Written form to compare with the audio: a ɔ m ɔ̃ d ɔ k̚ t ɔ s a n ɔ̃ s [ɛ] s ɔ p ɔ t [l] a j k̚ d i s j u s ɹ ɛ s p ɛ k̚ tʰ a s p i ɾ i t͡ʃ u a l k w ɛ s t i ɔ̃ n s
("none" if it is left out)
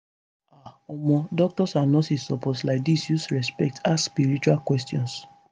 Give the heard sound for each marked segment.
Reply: i, l

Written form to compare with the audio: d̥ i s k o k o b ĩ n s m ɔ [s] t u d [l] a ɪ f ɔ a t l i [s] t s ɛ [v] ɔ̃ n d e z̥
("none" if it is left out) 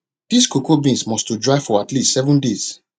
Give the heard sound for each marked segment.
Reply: s, ɹ, s, v

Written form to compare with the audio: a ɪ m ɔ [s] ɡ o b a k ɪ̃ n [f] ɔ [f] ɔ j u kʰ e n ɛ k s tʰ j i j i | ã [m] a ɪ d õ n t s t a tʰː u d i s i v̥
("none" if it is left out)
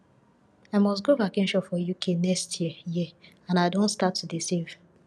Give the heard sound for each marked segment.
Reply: s, ʃ, f, n

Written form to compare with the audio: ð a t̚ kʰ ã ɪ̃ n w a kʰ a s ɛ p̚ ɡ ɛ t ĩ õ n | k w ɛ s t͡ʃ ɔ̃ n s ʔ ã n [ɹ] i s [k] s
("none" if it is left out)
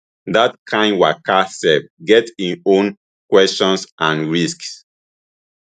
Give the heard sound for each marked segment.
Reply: ɹ, k

